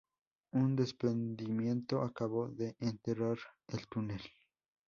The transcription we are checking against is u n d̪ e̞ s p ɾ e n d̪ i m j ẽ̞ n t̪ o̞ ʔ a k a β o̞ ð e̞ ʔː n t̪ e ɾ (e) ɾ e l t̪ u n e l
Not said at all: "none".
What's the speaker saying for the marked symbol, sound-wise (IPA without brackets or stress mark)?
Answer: a